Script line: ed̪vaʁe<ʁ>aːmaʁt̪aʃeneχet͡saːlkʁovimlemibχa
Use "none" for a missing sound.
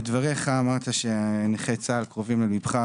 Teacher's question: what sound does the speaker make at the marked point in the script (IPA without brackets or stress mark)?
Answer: χ